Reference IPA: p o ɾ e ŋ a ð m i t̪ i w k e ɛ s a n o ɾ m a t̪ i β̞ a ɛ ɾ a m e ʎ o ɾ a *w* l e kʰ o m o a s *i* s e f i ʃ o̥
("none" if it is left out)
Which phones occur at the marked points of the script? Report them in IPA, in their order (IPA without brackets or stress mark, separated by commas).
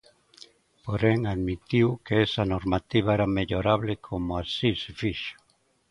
β, i